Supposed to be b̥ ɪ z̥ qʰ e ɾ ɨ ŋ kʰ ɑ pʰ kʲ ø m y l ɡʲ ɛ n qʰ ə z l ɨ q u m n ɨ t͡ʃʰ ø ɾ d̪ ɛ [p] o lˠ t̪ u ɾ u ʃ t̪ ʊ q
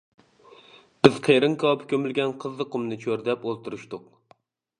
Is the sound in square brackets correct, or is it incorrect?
correct